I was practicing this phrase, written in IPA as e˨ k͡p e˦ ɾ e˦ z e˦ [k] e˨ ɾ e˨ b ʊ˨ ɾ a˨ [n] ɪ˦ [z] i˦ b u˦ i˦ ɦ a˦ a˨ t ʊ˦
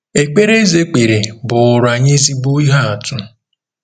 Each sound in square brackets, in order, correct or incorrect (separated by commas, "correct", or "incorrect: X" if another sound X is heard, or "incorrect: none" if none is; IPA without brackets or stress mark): incorrect: k͡p, incorrect: ɲ, correct